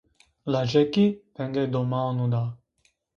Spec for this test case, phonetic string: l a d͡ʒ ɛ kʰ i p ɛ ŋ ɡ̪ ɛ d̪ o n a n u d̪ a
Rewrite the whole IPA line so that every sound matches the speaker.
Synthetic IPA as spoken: l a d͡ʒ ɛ k i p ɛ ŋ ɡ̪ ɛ d̪ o m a n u d̪ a